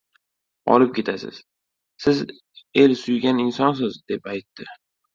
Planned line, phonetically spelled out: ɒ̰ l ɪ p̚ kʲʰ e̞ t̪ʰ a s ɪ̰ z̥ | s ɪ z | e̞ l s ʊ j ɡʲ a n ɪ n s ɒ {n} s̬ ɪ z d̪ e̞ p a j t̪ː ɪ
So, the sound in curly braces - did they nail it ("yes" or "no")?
yes